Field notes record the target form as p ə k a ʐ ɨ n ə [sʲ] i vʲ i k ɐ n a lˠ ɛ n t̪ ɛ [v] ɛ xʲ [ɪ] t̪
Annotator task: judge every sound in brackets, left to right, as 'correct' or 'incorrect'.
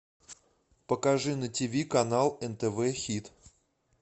incorrect: tʲ, correct, incorrect: i

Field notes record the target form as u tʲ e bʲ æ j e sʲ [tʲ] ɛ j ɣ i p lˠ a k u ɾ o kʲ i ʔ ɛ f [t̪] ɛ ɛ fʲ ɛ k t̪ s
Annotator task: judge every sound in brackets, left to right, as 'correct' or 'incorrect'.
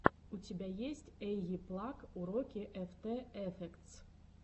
correct, correct

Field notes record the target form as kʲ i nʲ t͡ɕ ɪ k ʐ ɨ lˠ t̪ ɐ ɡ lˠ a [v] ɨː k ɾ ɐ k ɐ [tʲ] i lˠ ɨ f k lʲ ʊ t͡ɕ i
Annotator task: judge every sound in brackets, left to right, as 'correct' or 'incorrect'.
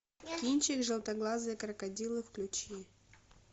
incorrect: z, incorrect: dʲ

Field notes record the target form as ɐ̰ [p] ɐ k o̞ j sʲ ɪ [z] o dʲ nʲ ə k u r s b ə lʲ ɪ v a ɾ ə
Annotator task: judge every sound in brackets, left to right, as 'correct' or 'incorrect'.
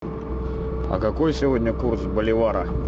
incorrect: k, incorrect: v

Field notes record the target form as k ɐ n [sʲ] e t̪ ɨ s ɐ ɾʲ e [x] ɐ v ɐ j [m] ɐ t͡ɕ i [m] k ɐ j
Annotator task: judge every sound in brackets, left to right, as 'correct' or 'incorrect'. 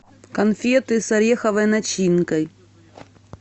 incorrect: fʲ, correct, incorrect: n, incorrect: n

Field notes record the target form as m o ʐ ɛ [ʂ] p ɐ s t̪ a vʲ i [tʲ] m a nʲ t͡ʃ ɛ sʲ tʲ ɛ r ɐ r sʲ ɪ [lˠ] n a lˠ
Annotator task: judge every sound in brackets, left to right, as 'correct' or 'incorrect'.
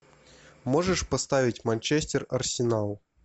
correct, correct, incorrect: none

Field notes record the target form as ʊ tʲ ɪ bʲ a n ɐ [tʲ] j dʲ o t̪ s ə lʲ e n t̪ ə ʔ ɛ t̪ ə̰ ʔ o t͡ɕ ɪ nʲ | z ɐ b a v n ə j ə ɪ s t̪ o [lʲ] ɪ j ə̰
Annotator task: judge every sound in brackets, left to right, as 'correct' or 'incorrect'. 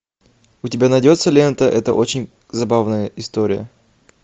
incorrect: none, incorrect: ɾʲ

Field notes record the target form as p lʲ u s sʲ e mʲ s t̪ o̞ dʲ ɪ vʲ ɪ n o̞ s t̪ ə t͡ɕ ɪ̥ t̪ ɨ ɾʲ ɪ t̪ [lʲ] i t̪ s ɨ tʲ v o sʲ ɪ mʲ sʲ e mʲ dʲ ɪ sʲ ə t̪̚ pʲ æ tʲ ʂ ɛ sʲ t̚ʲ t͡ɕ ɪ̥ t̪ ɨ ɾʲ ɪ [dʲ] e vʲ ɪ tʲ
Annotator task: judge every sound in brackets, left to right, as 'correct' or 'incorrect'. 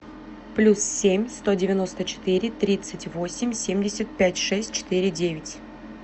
incorrect: ɾʲ, correct

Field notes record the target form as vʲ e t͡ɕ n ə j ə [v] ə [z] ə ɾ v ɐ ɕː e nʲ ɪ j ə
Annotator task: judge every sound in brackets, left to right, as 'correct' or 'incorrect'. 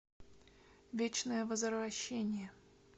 correct, correct

